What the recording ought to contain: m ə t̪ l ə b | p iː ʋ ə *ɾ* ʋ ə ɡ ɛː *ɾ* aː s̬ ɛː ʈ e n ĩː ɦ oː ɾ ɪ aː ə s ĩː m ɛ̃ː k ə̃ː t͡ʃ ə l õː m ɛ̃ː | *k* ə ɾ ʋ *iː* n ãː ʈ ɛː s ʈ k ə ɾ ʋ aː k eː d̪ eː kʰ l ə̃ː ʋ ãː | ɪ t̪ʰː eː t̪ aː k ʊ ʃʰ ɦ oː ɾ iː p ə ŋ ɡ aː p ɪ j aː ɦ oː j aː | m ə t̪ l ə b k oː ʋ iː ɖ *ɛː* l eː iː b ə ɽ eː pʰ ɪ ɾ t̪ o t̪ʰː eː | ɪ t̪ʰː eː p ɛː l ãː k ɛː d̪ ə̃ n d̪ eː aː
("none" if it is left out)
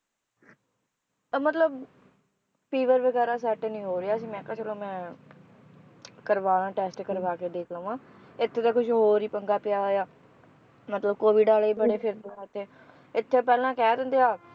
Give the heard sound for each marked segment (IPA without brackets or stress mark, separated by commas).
ɾ, ɾ, k, aː, aː